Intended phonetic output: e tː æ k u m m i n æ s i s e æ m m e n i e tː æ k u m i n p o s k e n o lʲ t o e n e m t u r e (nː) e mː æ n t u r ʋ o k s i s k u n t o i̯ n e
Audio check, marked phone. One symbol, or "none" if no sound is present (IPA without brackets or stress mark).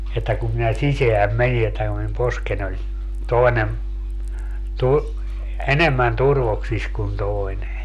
n